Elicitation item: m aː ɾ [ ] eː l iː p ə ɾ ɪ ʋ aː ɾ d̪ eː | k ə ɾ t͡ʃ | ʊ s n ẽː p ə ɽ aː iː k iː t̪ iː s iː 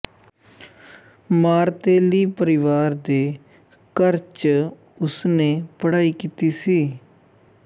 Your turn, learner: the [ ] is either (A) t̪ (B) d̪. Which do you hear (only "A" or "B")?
A